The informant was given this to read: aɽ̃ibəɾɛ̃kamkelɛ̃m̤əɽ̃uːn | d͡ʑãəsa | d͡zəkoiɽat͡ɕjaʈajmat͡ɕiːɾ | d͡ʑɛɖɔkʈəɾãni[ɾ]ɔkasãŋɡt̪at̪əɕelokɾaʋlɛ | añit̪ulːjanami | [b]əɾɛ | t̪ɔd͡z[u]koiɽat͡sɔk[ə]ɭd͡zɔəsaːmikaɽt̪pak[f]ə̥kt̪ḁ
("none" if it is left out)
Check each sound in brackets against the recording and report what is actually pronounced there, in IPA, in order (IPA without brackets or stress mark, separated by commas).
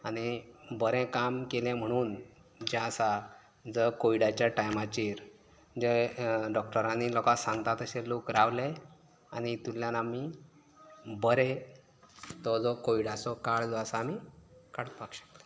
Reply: l, b, ɔ, a, ɕ